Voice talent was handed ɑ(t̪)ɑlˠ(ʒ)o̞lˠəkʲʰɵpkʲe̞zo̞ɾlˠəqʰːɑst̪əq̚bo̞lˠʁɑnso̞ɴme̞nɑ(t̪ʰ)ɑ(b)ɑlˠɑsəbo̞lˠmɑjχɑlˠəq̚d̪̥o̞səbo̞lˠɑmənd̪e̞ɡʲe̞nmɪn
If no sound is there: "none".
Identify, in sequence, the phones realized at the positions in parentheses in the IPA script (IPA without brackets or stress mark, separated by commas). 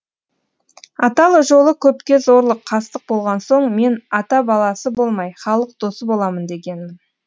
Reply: t̪, ʒ, t̪, b